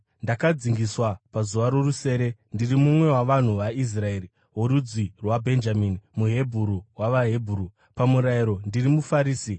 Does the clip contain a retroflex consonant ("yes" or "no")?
no